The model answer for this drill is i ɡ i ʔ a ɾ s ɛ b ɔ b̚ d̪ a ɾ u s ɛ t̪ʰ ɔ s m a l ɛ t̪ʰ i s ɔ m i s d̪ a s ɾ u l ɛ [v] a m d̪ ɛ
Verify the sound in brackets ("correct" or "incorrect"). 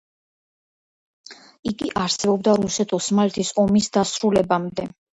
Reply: incorrect